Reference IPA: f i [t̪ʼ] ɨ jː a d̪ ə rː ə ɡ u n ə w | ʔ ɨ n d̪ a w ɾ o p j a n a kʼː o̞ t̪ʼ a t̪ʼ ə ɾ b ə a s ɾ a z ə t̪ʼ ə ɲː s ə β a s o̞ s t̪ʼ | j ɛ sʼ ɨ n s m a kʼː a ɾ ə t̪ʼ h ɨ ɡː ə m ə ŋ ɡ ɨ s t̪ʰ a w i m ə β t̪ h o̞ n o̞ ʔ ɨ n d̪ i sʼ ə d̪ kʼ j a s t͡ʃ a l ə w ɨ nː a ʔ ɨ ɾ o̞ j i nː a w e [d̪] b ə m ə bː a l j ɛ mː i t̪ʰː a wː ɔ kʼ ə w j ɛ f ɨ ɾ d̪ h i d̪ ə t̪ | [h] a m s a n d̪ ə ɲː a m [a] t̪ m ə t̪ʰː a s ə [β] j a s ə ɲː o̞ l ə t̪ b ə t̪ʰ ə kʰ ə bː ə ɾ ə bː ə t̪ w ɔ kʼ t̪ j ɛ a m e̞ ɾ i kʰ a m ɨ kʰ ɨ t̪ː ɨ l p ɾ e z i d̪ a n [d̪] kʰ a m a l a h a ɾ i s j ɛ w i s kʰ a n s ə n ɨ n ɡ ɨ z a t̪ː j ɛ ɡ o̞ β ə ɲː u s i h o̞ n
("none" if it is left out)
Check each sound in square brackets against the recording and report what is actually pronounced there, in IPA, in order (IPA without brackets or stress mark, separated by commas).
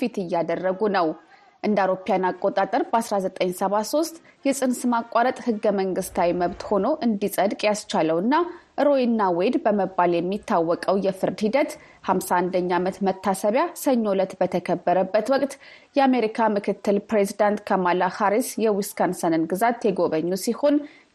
t̪, d̪, h, ə, β, t̪